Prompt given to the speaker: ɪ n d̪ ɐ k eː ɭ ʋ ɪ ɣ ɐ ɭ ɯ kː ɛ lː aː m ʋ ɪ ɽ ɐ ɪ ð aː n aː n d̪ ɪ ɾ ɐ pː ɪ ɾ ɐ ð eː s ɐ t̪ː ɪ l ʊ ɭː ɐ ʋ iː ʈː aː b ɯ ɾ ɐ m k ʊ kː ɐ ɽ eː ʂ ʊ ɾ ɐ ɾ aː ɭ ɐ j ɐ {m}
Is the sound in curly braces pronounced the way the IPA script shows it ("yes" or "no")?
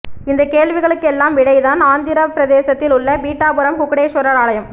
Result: yes